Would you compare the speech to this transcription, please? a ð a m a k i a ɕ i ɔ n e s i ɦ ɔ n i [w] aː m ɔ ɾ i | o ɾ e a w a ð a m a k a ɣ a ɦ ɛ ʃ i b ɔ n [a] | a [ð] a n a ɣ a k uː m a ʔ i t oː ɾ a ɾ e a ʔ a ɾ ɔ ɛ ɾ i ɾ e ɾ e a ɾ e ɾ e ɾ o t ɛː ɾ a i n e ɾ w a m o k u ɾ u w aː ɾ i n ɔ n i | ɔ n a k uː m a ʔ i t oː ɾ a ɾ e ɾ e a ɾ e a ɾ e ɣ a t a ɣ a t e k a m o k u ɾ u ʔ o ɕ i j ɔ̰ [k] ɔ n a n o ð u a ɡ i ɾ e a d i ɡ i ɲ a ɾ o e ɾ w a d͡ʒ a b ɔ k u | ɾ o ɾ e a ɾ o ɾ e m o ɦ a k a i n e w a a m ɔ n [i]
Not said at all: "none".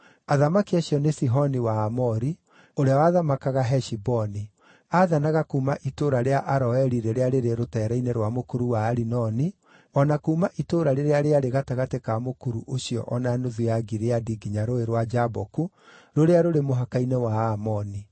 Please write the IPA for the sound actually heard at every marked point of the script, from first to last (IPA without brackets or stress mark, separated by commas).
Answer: w, i, ð, ʔ, i